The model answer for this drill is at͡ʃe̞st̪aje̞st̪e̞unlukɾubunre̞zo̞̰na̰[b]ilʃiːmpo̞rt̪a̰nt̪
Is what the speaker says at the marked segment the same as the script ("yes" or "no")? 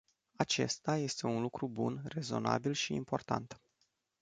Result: yes